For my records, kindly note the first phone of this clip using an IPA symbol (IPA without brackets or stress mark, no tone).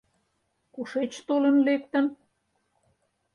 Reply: k